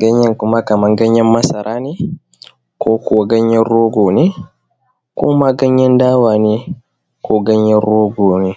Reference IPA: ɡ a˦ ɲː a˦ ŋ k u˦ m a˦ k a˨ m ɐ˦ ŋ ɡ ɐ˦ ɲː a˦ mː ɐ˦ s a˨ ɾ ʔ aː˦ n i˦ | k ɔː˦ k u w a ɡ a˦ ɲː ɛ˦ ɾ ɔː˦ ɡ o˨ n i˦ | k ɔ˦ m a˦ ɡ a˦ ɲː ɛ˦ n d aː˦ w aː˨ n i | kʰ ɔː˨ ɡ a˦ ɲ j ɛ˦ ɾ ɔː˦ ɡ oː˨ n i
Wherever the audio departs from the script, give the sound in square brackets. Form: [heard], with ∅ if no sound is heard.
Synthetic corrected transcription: ɡ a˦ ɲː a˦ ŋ k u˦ m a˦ k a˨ m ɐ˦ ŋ ɡ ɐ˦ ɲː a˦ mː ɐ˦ s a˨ ɾ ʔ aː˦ n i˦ | k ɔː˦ k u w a ɡ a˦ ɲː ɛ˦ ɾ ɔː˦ ɡ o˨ n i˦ | k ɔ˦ m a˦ ɡ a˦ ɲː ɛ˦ n d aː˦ w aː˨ n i | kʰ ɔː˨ ɡ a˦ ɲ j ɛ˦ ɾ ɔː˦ ɡ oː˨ n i